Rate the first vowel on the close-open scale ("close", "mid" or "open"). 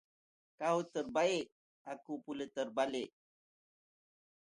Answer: open